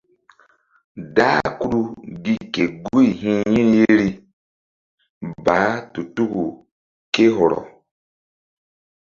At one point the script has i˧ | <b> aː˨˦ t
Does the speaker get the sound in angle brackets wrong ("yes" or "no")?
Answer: no